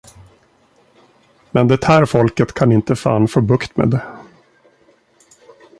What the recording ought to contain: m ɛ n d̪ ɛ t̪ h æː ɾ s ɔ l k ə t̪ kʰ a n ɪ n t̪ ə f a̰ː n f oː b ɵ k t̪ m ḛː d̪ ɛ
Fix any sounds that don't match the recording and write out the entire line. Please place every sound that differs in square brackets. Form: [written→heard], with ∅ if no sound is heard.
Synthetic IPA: m ɛ n d̪ ɛ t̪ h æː ɾ [s→f] ɔ l k ə t̪ kʰ a n ɪ n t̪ ə f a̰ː n f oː b ɵ k t̪ m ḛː d̪ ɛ